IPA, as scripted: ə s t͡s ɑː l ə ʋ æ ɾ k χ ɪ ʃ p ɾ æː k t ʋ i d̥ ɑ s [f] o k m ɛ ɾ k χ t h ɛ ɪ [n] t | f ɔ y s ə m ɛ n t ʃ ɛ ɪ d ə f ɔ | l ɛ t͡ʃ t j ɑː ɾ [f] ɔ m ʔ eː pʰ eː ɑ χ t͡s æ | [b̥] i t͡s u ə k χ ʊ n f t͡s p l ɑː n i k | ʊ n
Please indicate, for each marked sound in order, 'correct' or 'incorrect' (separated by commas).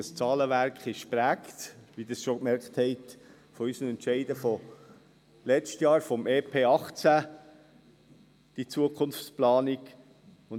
incorrect, incorrect, correct, incorrect